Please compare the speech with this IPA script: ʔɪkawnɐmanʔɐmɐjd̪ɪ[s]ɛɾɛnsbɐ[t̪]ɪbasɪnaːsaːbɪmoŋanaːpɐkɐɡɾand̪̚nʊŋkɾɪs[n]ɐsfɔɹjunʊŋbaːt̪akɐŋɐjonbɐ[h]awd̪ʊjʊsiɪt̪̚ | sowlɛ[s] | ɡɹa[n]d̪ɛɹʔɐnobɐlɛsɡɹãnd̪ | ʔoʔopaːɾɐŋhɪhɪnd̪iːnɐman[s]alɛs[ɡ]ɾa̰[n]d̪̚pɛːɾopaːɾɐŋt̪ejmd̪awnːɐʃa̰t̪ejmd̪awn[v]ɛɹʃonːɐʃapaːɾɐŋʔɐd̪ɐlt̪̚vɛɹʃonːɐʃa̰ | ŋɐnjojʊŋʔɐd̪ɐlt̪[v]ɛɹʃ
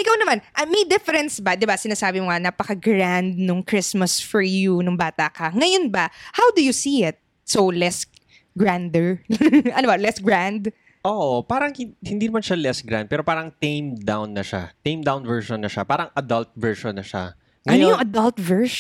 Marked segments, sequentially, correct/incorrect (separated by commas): incorrect, incorrect, incorrect, correct, correct, correct, incorrect, correct, correct, correct, correct